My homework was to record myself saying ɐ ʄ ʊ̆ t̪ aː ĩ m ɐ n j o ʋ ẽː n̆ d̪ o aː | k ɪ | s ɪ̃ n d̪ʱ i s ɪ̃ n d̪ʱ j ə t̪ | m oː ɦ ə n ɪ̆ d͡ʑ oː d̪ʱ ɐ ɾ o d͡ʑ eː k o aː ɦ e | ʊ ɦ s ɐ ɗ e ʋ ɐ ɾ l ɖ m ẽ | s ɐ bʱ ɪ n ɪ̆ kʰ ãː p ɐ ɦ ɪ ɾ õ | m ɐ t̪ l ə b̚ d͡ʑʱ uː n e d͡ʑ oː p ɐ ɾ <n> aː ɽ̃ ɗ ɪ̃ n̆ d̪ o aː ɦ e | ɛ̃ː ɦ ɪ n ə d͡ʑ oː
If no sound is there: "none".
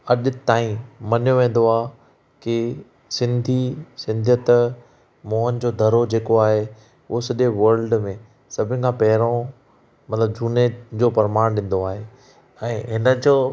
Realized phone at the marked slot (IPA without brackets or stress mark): m